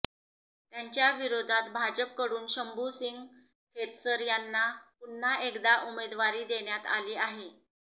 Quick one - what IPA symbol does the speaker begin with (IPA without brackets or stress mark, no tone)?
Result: t̪